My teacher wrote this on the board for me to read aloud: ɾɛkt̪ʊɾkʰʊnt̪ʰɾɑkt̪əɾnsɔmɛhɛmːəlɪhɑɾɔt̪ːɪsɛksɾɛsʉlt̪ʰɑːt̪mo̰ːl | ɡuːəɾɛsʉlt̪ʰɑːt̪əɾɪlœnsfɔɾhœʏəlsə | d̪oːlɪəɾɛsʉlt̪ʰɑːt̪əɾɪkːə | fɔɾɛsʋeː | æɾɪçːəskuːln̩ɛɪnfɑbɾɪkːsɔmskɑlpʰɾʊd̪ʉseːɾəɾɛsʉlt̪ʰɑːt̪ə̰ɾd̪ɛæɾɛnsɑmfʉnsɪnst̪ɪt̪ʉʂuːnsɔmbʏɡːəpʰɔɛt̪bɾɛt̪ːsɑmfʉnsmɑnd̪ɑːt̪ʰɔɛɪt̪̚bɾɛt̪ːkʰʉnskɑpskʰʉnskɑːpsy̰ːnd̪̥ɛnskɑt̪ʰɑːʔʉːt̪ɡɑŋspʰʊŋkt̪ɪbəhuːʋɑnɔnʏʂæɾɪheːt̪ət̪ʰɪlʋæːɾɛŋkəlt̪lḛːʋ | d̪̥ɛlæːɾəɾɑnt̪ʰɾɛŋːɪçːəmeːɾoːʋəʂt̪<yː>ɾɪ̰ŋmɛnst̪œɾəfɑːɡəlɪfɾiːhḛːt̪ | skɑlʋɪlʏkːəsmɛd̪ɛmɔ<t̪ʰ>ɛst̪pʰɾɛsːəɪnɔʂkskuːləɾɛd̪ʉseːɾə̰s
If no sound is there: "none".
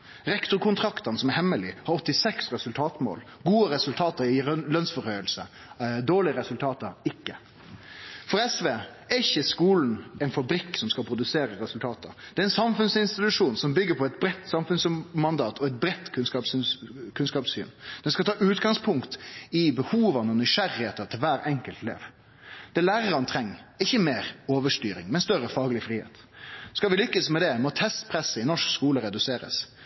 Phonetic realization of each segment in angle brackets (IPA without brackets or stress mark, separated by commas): yː, t̪ʰ